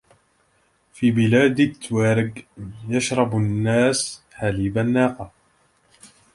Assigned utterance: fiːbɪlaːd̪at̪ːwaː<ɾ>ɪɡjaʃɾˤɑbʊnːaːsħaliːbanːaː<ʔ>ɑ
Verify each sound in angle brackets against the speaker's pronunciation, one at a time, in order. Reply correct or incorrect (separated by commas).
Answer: correct, incorrect